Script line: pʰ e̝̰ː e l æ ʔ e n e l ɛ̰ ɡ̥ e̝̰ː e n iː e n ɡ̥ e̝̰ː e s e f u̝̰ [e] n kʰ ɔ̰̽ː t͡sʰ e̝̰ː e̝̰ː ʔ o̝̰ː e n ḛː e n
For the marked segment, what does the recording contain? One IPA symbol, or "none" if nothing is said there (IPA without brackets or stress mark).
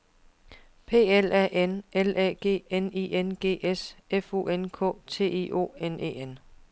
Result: e